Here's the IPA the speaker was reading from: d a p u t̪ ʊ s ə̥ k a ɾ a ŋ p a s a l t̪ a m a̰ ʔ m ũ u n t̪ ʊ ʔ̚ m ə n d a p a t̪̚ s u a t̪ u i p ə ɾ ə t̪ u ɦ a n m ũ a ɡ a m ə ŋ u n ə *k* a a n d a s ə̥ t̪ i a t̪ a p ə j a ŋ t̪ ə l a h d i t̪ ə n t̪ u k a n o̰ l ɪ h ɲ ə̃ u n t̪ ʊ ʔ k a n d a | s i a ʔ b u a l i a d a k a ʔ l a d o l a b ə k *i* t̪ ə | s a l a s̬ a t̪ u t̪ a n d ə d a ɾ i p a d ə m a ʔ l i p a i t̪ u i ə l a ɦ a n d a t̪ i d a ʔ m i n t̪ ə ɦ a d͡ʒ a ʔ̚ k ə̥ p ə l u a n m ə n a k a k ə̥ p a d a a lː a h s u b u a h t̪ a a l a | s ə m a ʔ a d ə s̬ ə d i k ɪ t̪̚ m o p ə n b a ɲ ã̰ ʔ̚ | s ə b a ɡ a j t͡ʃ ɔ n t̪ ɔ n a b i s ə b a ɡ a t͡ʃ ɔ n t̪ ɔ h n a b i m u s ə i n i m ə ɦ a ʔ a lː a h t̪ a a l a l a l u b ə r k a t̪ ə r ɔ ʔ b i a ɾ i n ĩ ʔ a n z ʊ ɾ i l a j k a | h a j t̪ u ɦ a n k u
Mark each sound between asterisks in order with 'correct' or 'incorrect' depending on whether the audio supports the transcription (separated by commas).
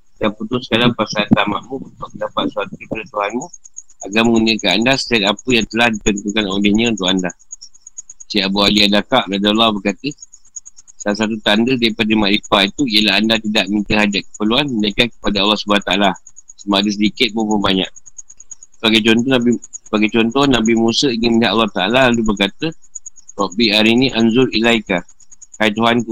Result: correct, incorrect